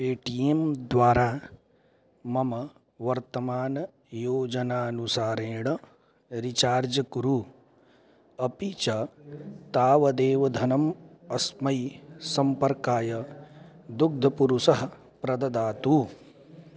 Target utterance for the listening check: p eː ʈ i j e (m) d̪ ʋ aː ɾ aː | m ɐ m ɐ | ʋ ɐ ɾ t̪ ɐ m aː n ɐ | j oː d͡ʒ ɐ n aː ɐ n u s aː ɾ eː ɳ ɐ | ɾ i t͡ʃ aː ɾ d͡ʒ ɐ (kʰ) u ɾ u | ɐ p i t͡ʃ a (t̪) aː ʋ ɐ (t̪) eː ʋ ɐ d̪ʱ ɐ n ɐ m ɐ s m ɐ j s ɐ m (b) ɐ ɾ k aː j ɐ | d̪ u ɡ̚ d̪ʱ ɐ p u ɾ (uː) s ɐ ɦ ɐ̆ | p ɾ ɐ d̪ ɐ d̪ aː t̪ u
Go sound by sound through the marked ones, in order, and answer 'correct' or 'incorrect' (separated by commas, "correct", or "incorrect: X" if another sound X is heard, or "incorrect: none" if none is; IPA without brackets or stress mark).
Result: correct, incorrect: k, correct, incorrect: d̪, incorrect: p, incorrect: u